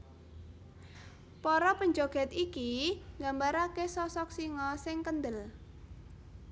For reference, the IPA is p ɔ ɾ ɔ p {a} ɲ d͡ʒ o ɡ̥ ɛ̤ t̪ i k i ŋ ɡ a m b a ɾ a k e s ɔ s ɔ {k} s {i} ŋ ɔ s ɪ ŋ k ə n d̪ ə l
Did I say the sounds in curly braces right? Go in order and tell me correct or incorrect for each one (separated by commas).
incorrect, correct, correct